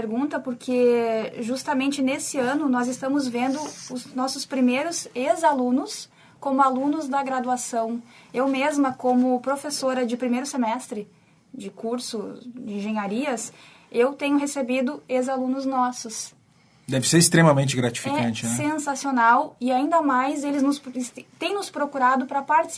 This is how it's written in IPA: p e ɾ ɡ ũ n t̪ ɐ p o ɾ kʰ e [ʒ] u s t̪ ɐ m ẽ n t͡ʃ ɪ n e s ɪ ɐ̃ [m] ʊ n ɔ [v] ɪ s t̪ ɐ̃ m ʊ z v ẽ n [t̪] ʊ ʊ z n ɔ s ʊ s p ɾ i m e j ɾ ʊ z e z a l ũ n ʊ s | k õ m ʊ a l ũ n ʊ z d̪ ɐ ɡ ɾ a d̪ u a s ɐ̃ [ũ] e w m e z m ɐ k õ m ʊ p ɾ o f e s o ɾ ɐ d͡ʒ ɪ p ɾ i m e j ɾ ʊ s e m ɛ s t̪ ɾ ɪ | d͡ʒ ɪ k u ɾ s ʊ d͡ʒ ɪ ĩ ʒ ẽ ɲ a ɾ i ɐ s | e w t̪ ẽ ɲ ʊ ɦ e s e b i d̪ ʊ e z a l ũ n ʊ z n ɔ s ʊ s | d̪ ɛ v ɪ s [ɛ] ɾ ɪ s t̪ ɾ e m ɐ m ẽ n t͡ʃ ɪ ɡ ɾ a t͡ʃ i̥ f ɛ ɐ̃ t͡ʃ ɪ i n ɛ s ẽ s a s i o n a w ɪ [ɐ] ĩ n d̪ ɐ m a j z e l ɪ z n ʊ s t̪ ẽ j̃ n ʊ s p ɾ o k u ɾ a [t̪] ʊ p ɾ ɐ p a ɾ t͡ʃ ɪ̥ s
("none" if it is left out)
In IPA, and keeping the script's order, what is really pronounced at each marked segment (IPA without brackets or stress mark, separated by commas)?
ʒ, n, z, d̪, w̃, e, a, d̪